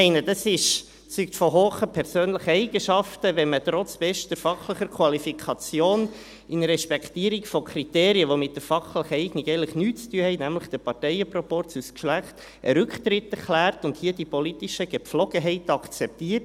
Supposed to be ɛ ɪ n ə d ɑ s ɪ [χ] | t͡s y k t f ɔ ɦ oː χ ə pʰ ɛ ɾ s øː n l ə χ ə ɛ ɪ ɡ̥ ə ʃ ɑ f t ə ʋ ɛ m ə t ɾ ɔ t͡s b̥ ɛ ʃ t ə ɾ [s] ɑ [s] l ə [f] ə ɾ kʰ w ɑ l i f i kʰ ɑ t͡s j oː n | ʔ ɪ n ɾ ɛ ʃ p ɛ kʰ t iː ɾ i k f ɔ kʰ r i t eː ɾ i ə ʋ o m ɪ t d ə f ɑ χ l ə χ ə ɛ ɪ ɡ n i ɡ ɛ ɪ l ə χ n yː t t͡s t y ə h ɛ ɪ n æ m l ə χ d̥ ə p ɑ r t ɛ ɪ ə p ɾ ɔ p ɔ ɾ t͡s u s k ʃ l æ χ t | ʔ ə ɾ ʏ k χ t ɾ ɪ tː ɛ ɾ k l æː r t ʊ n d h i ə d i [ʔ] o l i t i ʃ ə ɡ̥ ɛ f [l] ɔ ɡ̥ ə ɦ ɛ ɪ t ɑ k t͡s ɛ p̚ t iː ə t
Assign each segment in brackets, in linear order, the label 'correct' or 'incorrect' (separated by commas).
incorrect, incorrect, incorrect, incorrect, incorrect, correct